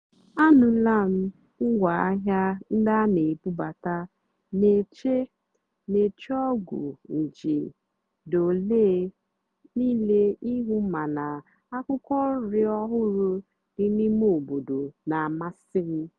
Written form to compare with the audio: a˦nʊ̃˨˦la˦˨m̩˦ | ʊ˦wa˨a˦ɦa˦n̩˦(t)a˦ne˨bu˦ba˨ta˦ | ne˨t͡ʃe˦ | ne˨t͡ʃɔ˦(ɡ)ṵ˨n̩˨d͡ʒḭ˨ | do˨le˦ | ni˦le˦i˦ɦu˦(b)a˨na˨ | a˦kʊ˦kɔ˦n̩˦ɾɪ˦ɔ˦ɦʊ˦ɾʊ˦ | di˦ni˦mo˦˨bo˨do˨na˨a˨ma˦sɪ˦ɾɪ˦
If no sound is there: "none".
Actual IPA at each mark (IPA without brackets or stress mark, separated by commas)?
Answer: d, ɡ, m